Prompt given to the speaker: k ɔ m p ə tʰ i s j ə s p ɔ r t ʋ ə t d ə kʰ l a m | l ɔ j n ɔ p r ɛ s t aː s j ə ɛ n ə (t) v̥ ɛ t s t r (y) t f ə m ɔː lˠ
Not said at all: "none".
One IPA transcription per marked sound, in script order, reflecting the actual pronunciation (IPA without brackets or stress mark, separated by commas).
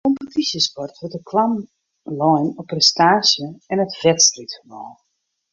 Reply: t, i